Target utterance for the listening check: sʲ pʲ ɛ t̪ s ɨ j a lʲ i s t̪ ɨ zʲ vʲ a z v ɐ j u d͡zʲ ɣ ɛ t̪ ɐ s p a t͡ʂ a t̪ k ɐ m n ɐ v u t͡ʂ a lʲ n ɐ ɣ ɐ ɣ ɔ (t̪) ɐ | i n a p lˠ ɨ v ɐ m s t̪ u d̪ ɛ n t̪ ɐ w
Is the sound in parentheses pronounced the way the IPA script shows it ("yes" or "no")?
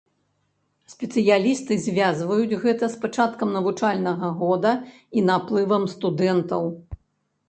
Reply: no